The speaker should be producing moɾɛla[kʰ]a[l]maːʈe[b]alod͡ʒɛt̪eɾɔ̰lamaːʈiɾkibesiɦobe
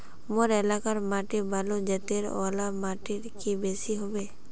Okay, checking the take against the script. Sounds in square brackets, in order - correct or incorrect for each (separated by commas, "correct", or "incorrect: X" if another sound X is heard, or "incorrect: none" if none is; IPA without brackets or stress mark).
incorrect: k, incorrect: ɾ, correct